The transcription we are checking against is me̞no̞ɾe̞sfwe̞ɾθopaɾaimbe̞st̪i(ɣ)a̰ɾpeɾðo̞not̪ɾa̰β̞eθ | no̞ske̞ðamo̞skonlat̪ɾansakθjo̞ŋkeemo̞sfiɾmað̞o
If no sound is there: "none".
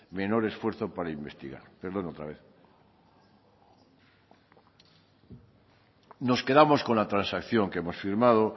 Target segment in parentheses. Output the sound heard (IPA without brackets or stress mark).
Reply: ɣ